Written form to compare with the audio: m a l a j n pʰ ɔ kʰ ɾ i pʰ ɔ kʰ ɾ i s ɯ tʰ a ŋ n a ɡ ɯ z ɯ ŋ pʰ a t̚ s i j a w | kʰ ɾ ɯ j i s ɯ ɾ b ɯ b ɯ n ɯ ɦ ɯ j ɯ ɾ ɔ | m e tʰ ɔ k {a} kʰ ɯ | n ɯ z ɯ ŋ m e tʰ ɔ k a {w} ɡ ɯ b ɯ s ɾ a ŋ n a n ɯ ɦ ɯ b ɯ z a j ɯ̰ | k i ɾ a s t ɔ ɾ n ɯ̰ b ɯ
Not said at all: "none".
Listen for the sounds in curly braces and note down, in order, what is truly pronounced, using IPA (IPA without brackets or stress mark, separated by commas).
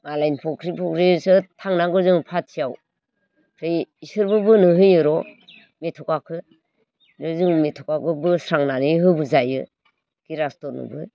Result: a, none